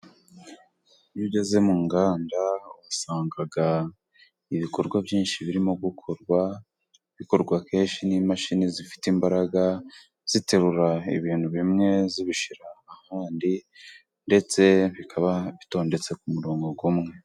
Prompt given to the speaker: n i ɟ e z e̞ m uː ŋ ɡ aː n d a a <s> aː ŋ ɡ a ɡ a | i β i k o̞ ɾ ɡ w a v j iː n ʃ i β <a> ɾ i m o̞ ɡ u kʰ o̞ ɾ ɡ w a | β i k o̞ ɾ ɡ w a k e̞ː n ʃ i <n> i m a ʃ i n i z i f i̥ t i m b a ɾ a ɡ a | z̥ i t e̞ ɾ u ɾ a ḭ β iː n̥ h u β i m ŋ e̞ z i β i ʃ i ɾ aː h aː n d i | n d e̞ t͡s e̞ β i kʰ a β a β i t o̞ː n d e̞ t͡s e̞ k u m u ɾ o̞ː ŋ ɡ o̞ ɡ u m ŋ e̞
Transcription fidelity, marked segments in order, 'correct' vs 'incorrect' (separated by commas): correct, incorrect, correct